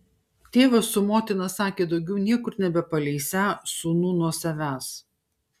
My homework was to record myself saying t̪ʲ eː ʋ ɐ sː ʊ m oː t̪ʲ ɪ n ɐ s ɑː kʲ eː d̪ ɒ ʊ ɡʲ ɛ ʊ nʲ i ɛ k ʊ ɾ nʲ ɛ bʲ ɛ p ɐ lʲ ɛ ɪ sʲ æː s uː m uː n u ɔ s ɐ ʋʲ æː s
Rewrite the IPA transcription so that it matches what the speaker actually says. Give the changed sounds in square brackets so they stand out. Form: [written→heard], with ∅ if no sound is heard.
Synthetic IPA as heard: t̪ʲ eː ʋ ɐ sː ʊ m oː t̪ʲ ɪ n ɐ s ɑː kʲ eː d̪ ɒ ʊ ɡʲ ɛ ʊ nʲ i ɛ k ʊ ɾ nʲ ɛ bʲ ɛ p ɐ lʲ ɛ ɪ sʲ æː s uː [m→n] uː n u ɔ s ɐ ʋʲ æː s